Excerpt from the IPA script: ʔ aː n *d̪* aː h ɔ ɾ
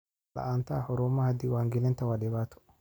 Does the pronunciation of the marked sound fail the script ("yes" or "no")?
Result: yes